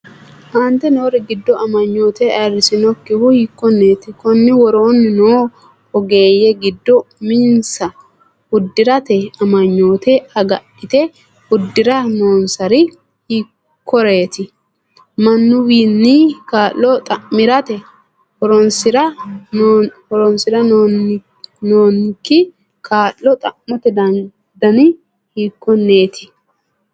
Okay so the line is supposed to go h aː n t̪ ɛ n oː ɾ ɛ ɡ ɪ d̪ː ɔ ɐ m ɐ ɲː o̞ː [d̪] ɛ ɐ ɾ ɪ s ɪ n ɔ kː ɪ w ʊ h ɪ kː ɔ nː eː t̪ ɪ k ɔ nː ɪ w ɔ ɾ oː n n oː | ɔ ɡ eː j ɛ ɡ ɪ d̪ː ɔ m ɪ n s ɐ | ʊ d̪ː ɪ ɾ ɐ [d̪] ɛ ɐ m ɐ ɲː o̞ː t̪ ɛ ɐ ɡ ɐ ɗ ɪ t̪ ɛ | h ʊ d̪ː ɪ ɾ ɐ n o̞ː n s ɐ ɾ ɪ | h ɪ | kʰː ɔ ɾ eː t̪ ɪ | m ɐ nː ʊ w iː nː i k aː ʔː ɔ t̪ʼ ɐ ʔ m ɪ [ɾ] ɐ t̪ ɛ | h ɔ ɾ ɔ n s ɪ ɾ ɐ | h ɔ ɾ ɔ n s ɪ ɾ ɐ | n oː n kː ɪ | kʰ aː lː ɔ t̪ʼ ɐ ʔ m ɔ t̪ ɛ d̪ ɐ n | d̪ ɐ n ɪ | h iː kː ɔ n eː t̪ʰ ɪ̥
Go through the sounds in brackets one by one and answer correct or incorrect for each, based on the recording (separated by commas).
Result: incorrect, incorrect, correct